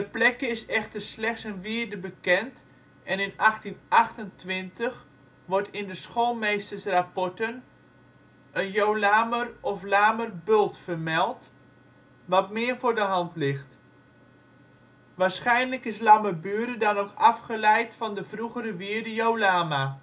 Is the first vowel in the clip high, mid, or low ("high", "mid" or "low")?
mid